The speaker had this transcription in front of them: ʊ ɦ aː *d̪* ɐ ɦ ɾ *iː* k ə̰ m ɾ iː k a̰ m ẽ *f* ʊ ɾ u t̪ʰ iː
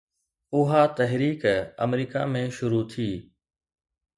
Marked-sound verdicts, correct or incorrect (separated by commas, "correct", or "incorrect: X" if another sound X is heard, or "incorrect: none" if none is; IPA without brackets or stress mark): incorrect: t̪, correct, incorrect: ʃ